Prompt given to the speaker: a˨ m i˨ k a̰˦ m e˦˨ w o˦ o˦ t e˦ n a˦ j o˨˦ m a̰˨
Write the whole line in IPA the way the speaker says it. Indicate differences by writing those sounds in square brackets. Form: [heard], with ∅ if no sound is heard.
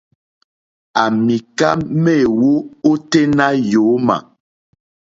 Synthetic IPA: a˨ m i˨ k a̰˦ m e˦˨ w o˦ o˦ t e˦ n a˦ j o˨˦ m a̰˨